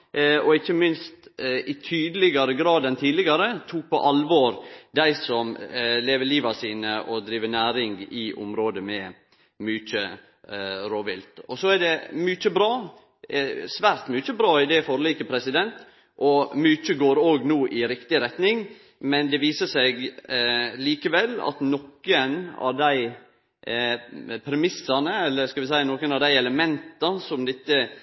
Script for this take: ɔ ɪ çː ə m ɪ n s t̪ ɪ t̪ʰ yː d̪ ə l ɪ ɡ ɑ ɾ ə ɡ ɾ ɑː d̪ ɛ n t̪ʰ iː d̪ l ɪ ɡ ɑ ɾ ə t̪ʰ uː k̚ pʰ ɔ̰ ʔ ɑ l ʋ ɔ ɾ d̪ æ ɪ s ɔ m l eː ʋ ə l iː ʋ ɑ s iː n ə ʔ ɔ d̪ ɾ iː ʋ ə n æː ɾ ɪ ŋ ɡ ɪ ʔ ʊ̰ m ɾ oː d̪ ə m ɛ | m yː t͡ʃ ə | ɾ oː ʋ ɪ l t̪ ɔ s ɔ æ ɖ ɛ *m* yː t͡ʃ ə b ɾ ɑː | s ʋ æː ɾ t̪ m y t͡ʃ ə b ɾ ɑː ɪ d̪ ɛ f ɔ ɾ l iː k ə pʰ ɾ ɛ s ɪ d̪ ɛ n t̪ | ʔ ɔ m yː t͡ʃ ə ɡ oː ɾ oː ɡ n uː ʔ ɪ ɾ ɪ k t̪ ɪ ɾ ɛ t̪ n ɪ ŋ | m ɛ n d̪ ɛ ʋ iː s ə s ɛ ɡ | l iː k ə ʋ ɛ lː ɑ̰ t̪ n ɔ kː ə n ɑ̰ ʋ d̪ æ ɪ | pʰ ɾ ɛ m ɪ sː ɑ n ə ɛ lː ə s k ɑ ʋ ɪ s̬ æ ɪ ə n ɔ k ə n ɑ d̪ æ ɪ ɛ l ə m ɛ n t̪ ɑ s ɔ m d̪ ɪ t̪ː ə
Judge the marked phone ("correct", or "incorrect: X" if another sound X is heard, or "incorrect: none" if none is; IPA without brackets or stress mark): correct